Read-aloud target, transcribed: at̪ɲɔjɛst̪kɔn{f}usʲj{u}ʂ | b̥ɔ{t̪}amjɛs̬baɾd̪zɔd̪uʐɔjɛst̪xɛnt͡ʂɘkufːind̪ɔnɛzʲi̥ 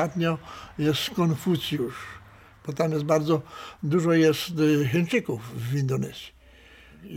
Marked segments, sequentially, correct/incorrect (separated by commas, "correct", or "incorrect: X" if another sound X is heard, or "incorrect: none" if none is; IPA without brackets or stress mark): correct, correct, correct